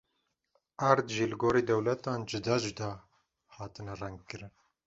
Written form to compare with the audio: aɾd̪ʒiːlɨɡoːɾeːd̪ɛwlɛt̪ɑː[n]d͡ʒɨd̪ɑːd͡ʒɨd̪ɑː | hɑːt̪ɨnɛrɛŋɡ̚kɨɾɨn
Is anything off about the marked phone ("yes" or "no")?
no